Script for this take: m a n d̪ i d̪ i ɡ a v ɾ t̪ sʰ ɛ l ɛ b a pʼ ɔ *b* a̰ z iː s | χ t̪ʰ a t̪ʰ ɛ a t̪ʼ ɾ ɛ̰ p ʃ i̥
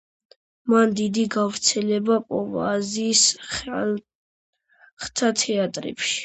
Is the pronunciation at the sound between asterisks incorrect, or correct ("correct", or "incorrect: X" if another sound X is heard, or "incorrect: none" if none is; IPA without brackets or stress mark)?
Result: incorrect: v